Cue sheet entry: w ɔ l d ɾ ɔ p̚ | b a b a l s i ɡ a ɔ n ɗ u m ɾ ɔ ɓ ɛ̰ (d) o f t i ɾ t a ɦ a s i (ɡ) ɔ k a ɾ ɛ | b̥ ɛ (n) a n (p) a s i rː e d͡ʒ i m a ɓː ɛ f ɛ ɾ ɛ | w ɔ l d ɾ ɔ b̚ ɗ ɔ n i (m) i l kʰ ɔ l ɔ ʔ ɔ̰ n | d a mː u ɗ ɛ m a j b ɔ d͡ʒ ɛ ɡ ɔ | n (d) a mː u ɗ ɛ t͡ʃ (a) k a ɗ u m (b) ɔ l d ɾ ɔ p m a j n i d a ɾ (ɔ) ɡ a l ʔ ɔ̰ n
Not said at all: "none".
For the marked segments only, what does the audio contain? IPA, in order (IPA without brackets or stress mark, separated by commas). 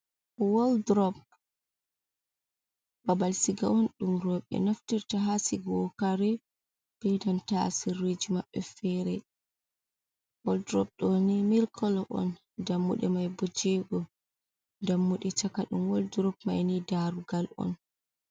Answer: n, ɡ, d, t, m, d, a, w, u